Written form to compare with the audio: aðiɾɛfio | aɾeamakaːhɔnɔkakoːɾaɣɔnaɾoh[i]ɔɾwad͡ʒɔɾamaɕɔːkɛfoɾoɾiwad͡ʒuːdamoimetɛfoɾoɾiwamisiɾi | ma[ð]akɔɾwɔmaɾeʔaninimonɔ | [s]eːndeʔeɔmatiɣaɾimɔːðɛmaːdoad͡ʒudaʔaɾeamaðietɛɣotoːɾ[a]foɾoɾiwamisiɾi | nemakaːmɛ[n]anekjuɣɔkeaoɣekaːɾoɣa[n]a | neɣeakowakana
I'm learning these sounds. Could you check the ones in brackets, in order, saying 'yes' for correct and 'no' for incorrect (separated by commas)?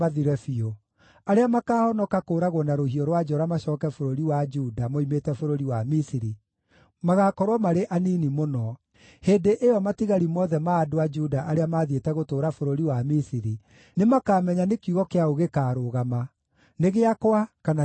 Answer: yes, no, no, yes, no, no